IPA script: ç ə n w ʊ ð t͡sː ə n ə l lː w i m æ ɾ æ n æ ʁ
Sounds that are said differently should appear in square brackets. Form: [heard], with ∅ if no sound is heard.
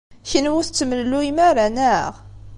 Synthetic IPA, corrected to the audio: ç ə n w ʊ [θ] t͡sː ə [m] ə l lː [u] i m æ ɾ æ n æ ʁ